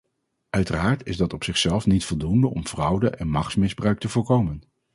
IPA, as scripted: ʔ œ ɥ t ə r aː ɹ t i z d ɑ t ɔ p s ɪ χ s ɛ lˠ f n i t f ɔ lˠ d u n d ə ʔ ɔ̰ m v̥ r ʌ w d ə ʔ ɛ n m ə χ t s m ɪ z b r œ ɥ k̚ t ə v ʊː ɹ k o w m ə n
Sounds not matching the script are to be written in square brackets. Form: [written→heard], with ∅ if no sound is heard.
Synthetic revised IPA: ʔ œ ɥ t ə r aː ɹ t [i→ɪ] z d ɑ t ɔ p s ɪ χ s ɛ lˠ f n i t f ɔ lˠ d u n d ə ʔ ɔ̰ m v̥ r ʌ w d ə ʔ ɛ n m [ə→ɑ] χ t s m ɪ z b r œ ɥ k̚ t ə v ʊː ɹ k o w m ə n